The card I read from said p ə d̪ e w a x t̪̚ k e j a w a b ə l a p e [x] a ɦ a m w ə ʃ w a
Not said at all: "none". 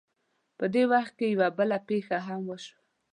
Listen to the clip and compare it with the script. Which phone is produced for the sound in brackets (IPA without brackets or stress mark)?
x